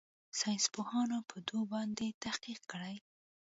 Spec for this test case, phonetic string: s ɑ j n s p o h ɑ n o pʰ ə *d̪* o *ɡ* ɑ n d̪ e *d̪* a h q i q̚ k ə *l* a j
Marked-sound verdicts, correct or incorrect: correct, incorrect: b, incorrect: t̪, incorrect: ɽ

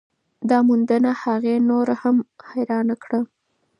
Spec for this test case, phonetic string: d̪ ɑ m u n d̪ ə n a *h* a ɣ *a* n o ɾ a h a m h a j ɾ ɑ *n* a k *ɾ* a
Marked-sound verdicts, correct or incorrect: correct, incorrect: e, correct, incorrect: ɽ

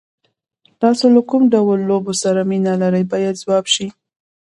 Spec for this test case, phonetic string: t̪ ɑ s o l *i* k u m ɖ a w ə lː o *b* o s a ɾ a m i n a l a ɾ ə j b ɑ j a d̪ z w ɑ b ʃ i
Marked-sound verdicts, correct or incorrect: incorrect: a, correct

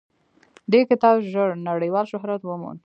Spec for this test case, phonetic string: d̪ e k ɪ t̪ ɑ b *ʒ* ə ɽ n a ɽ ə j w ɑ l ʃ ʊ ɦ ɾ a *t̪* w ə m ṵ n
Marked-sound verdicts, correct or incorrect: correct, correct

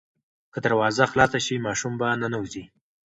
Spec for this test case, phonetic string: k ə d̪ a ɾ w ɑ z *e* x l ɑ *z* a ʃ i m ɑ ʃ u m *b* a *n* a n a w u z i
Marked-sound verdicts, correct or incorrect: incorrect: a, incorrect: s, correct, correct

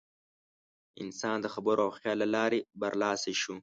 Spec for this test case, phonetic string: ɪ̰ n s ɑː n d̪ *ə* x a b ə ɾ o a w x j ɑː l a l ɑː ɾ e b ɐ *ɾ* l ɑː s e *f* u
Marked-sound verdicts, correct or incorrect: correct, correct, incorrect: ʃ

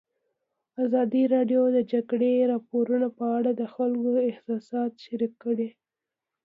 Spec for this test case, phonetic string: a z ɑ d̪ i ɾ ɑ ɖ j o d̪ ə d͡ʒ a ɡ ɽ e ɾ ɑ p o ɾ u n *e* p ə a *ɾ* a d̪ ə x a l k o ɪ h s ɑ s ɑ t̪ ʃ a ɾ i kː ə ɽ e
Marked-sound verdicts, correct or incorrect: incorrect: a, incorrect: ɽ

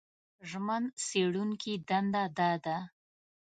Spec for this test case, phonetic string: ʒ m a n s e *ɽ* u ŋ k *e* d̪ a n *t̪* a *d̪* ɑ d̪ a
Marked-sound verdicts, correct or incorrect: correct, incorrect: i, incorrect: d̪, correct

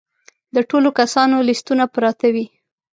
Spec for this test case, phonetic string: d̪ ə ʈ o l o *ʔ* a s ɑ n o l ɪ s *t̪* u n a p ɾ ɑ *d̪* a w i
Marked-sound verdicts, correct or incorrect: incorrect: k, correct, incorrect: t̪

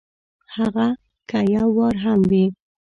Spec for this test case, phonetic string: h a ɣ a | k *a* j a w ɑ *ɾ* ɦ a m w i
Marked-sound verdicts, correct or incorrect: correct, correct

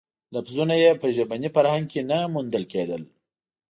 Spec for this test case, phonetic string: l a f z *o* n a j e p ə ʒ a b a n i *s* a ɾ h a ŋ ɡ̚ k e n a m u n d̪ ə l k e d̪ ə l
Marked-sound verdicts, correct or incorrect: incorrect: u, incorrect: f

